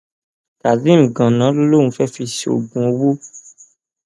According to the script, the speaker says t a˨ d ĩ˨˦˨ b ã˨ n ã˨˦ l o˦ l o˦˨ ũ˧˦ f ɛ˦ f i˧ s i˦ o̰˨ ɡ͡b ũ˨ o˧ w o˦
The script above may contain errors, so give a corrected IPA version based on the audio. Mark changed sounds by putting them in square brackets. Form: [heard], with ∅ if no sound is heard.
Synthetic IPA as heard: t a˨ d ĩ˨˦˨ [ɡ] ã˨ n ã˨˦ l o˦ l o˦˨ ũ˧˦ f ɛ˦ f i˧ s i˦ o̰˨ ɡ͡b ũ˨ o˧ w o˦